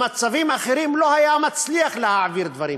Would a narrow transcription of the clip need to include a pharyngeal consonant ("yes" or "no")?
yes